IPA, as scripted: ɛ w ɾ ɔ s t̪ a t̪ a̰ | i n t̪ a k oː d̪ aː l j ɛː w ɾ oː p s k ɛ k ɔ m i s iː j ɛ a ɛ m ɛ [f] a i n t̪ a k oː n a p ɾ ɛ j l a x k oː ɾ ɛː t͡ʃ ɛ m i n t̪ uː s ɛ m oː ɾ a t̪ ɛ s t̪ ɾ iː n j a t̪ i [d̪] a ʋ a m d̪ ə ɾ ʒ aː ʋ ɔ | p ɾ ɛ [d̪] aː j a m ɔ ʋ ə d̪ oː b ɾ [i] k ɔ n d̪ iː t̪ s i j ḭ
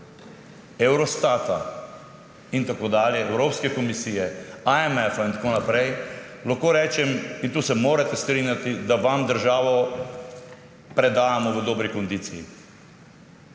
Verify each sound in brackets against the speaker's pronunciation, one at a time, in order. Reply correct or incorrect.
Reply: correct, correct, correct, correct

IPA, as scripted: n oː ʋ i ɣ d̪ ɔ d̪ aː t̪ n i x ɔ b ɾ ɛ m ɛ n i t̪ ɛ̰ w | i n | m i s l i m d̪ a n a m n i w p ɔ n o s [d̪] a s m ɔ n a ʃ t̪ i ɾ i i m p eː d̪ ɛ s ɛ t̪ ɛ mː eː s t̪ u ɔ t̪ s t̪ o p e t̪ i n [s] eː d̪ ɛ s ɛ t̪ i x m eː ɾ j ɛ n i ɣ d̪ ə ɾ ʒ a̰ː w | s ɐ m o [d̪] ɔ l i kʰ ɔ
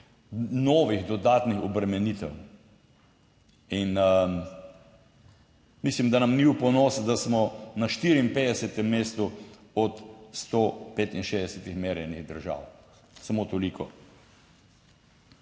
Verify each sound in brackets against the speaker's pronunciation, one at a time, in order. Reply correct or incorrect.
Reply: correct, incorrect: ʃ, incorrect: t̪

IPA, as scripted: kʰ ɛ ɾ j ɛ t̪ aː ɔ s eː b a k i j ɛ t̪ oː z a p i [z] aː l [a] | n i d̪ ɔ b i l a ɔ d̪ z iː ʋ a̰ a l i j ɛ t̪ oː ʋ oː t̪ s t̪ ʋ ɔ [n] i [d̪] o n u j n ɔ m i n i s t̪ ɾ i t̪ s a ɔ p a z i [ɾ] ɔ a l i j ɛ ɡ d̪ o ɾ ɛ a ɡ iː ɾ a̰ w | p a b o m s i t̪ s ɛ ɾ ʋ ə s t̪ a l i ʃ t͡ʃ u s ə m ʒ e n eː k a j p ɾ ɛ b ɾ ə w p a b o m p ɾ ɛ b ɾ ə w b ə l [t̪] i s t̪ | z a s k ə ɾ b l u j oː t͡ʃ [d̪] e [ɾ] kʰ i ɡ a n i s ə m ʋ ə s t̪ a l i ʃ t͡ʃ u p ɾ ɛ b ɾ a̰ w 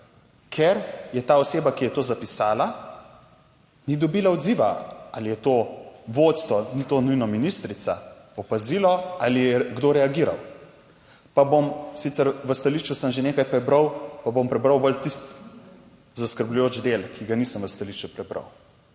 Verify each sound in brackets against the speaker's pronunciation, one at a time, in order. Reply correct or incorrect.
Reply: incorrect: s, correct, correct, incorrect: t̪, incorrect: l, correct, correct, incorrect: l

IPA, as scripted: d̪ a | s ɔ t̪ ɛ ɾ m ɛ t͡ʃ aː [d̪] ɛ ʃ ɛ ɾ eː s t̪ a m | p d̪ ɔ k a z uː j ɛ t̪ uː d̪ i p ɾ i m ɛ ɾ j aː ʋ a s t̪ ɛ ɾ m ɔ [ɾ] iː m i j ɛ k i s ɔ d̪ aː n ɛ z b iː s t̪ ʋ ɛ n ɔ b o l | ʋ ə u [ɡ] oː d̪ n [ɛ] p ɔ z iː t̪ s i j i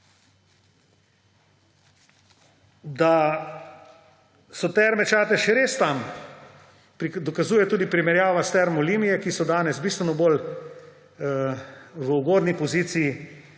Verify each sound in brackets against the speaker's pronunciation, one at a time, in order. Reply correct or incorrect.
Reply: incorrect: t̪, incorrect: l, correct, incorrect: i

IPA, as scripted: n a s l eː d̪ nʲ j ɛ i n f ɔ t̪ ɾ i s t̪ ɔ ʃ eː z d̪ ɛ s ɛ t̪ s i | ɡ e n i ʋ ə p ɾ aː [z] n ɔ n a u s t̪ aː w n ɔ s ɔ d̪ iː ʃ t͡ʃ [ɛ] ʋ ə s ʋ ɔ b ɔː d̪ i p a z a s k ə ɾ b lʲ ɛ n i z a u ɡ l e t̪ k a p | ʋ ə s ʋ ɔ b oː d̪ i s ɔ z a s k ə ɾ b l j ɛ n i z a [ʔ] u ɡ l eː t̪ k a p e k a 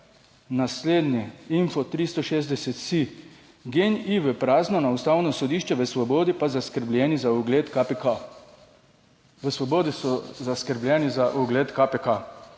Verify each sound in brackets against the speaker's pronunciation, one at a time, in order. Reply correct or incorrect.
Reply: correct, correct, correct

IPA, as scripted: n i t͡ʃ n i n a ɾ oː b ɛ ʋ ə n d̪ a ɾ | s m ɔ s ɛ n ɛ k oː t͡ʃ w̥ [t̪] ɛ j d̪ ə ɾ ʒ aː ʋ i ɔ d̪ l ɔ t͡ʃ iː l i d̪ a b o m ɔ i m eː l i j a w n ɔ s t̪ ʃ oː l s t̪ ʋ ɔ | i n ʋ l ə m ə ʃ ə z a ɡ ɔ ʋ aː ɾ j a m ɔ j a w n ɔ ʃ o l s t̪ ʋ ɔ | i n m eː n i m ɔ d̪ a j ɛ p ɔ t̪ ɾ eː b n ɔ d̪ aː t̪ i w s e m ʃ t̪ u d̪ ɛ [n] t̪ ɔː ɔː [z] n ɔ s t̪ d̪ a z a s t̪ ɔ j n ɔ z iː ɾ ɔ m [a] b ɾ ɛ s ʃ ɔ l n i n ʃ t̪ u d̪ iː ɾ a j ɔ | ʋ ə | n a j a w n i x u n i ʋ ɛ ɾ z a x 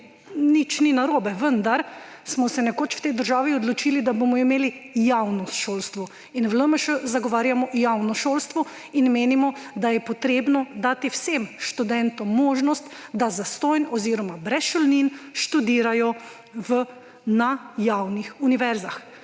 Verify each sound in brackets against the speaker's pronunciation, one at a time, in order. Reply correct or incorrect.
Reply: correct, correct, incorrect: ʒ, correct

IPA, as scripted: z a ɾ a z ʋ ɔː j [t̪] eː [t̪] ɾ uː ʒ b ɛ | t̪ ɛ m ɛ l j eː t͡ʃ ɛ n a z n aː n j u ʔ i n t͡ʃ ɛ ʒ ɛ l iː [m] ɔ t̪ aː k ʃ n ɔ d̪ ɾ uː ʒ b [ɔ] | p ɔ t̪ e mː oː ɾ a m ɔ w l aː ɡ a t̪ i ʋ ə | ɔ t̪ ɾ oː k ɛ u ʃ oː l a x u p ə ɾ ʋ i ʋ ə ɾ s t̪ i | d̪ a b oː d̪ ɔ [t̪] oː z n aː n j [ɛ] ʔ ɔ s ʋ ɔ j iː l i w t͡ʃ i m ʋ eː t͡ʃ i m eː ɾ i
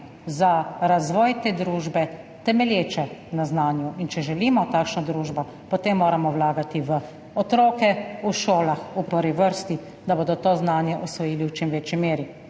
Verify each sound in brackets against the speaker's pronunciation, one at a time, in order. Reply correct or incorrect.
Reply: correct, incorrect: d̪, correct, correct, correct, correct

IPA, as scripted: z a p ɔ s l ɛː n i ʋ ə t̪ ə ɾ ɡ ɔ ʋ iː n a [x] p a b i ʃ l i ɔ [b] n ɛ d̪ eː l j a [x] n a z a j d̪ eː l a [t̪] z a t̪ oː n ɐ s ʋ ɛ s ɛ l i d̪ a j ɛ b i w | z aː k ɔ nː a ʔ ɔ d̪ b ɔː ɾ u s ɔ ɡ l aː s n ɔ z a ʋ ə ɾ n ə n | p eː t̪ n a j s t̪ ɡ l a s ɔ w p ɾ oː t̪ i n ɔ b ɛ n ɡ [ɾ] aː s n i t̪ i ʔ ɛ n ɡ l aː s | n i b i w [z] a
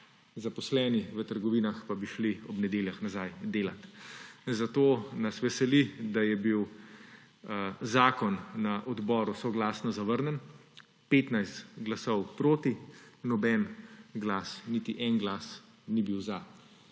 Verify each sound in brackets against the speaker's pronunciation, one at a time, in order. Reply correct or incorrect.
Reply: correct, correct, correct, correct, incorrect: l, correct

